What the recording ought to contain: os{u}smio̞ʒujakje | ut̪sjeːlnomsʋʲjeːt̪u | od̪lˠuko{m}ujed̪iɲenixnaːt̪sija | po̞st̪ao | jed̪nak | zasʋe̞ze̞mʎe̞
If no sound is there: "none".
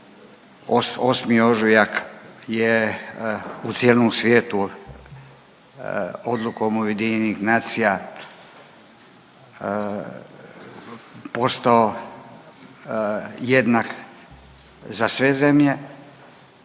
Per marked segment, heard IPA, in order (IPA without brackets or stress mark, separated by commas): o, m